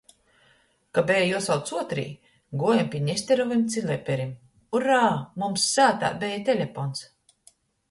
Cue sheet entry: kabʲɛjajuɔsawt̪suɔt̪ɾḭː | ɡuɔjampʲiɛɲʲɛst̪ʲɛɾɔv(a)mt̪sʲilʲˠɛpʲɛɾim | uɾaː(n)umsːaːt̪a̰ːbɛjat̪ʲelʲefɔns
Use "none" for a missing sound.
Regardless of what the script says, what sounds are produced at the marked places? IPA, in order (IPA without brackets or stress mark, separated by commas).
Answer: i, m